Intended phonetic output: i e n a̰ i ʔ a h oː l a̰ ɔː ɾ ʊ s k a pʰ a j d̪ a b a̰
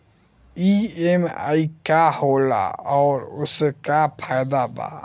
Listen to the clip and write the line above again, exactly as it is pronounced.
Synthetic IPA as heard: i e m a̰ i k a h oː l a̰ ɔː ɾ ʊ s k a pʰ a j d̪ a b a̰